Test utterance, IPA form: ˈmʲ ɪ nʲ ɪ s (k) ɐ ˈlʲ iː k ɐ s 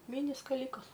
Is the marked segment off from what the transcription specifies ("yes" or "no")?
no